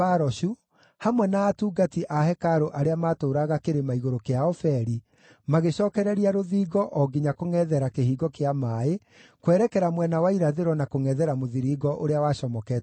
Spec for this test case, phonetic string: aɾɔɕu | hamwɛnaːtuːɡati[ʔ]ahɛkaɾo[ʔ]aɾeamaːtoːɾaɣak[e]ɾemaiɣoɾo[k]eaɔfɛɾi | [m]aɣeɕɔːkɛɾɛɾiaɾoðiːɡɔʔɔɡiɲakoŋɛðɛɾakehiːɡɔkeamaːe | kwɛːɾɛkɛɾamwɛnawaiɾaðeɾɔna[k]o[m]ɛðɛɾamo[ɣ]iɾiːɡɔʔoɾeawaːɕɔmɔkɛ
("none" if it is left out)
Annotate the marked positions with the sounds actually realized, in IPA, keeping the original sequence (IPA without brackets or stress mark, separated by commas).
ʔ, ʔ, e, k, m, k, ŋ, ð